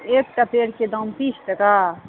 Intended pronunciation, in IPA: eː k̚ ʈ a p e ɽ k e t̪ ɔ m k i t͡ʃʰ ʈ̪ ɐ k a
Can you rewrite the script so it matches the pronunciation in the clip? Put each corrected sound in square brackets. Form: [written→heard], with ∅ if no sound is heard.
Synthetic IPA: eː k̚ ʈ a p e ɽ k e [t̪→d̪] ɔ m [k→p] i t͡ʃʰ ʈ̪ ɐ k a